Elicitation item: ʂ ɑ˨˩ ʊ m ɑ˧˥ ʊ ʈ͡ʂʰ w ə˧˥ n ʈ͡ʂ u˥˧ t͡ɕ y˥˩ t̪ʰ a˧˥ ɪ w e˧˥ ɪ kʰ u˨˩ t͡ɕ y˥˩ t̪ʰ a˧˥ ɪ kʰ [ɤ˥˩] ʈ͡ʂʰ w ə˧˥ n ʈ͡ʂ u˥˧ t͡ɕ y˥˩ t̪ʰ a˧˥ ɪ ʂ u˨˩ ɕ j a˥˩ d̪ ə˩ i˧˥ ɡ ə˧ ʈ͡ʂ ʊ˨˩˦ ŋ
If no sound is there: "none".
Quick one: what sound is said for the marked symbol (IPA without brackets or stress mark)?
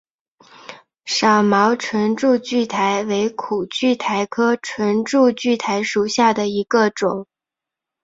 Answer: ɤ˥